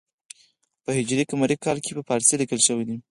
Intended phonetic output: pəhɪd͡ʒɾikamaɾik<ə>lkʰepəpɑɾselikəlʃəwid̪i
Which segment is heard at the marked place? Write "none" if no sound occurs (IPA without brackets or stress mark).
ɑ